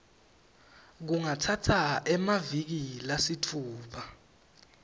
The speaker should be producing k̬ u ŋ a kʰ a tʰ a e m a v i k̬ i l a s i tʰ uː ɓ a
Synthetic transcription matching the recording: k̬ u ŋ a tʰ a tʰ a ɛ m a v i k̬ i l a s i tʰ uː ɓ a